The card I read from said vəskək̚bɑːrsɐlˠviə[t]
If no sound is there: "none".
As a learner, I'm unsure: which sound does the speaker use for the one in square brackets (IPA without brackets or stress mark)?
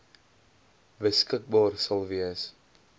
s